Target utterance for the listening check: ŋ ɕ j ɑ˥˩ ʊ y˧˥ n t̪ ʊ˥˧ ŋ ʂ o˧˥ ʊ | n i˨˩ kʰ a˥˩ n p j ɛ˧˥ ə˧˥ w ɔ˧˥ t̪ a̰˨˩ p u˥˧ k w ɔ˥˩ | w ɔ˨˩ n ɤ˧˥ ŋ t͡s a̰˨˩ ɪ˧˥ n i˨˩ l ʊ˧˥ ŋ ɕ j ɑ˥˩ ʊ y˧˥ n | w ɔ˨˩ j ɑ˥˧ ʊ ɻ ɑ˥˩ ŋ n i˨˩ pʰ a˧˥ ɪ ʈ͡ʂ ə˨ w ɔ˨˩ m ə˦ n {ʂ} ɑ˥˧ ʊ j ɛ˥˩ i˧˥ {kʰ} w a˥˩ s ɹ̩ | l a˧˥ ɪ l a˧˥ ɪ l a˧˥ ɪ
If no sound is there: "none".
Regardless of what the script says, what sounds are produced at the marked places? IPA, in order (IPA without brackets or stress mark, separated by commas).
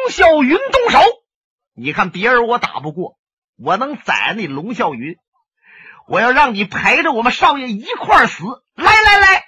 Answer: ʂ, kʰ